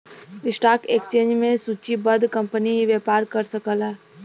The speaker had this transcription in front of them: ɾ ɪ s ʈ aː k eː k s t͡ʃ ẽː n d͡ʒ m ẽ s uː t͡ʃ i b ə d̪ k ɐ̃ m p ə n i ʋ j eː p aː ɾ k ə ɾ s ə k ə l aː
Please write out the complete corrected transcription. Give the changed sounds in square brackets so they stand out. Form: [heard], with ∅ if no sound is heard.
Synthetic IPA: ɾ ɪ s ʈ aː k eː k s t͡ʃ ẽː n d͡ʒ m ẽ s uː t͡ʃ i b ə d̪ k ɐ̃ m p ə n i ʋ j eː p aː ɾ k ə ɾ s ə k ə l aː